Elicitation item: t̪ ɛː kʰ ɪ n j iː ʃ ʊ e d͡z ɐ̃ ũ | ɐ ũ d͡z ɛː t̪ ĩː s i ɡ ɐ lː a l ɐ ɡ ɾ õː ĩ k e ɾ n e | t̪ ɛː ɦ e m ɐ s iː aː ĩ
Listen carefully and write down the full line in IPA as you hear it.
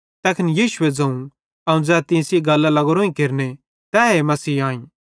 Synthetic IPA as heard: t̪ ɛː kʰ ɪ n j iː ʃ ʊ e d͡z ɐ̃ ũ | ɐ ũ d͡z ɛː t̪ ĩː s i ɡ ɐ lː a l ɐ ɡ ɾ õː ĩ k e ɾ n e | t̪ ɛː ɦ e m ɐ s iː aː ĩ